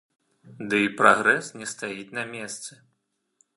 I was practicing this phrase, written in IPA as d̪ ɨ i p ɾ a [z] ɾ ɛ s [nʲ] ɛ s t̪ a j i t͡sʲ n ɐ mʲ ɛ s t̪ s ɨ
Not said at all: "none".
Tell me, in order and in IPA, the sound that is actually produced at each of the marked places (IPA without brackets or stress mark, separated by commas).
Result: ɣ, nʲ